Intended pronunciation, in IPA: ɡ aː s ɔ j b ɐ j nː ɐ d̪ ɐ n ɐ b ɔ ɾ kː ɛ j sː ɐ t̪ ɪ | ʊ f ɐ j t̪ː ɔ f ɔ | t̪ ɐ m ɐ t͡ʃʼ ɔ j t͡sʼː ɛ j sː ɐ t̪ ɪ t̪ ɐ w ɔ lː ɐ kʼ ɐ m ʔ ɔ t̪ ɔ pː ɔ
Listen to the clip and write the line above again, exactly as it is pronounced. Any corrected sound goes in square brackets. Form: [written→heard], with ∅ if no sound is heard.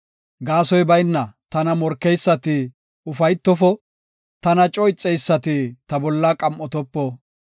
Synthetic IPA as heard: ɡ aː s ɔ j b ɐ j nː ɐ [d̪→t̪] ɐ n ɐ [b→m] ɔ ɾ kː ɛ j sː ɐ t̪ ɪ | ʊ f ɐ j t̪ː ɔ f ɔ | t̪ ɐ [m→n] ɐ t͡ʃʼ ɔ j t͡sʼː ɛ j sː ɐ t̪ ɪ t̪ ɐ [w→b] ɔ lː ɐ kʼ ɐ m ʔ ɔ t̪ ɔ pː ɔ